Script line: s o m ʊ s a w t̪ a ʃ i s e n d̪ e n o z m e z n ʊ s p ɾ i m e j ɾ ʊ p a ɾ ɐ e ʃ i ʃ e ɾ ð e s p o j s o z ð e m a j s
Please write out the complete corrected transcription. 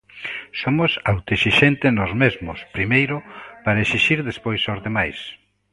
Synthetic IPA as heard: s o m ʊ s a w t̪ e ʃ i ʃ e n t̪ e n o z m e z m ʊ s p ɾ i m e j ɾ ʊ p a ɾ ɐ e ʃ i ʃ i ɾ ð e s p o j s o z ð e m a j s